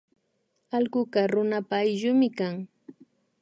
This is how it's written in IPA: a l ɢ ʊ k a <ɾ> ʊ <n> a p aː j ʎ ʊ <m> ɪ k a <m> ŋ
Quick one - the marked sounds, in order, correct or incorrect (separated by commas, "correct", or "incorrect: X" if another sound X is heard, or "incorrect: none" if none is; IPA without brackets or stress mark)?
correct, correct, correct, incorrect: none